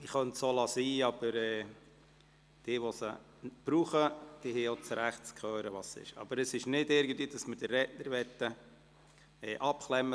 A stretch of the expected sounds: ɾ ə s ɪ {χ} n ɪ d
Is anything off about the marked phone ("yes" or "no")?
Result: yes